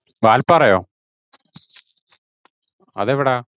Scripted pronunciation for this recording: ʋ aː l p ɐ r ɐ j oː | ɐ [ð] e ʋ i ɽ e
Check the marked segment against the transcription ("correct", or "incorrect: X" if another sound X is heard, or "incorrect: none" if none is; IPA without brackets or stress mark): correct